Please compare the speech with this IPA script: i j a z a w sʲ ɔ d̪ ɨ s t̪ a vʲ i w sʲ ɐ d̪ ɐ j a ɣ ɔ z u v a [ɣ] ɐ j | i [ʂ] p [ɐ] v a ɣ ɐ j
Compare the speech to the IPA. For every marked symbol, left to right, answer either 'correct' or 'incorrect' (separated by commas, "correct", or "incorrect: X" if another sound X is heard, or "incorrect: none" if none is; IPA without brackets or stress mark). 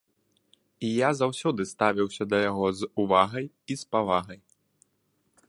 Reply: correct, incorrect: s, incorrect: a